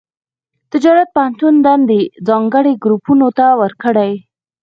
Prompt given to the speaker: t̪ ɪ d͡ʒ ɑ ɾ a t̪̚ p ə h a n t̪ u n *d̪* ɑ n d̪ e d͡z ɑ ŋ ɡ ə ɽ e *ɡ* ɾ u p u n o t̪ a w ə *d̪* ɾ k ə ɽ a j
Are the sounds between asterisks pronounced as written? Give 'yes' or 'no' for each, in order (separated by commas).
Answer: yes, yes, no